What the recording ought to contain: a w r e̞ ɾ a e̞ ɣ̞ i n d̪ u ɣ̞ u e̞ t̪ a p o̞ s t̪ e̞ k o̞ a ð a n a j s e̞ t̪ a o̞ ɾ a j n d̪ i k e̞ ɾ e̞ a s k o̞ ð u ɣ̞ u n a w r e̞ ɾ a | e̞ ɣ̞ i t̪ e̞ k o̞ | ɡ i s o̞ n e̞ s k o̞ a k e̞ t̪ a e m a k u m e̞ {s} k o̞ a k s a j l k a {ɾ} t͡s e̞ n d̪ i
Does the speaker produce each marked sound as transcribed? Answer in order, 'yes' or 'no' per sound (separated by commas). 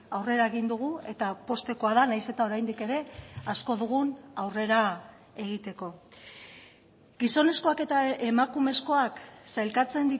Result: yes, no